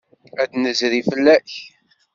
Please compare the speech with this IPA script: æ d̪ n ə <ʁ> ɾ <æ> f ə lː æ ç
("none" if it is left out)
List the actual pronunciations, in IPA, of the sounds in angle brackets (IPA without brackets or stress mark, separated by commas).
z, i